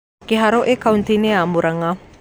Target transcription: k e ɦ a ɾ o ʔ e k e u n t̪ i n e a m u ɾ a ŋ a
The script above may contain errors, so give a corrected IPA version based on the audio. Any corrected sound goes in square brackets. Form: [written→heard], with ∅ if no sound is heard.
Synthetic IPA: k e ɦ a ɾ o ʔ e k [e→a] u n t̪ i n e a m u ɾ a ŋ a